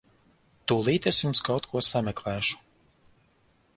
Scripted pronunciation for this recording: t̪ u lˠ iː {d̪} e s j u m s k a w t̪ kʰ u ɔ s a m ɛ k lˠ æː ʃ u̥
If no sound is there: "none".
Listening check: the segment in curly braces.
t̪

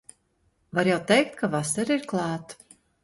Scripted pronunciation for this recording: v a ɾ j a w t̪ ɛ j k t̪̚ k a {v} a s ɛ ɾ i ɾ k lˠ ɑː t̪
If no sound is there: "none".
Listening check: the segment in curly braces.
v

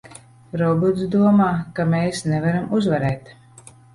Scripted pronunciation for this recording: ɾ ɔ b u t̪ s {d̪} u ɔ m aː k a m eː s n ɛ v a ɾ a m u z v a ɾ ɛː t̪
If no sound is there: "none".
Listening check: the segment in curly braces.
d̪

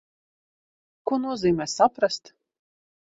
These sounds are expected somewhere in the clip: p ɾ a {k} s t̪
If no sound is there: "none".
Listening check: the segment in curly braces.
none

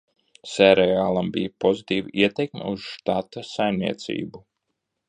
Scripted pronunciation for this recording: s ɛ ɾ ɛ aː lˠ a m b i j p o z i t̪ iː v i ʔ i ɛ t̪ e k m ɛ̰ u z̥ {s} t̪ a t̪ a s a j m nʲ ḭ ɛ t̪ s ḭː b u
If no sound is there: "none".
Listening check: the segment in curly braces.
ʃ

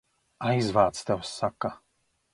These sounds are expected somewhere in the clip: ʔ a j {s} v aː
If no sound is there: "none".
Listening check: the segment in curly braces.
z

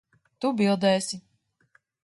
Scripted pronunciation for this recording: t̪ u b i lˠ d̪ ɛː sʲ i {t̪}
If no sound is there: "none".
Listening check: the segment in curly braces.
none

